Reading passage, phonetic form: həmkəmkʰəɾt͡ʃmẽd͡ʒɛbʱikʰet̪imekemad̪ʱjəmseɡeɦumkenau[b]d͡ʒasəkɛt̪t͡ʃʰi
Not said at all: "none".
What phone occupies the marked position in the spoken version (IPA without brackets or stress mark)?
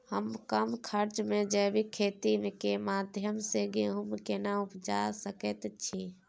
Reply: p